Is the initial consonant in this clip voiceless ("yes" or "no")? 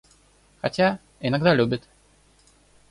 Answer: yes